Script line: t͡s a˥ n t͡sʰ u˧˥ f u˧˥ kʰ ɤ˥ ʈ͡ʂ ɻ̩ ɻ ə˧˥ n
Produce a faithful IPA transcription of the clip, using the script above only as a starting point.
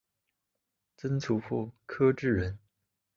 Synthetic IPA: t͡s ə˥ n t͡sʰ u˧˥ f u˥˩ kʰ ɤ˥ ʈ͡ʂ ɻ̩ ɻ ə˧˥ n